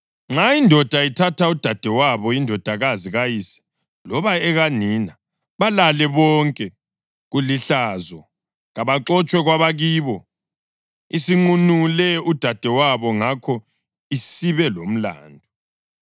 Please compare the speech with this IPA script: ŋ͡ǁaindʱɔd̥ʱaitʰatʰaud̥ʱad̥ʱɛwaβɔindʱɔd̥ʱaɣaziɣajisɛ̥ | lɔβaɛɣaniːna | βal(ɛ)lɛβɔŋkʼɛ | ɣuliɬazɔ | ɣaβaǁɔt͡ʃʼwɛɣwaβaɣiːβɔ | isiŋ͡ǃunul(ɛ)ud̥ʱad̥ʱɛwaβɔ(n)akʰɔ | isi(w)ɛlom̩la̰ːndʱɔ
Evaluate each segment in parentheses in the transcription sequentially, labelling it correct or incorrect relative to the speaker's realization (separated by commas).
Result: incorrect, correct, incorrect, incorrect